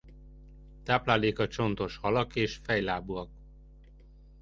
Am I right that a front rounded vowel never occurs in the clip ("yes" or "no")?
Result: yes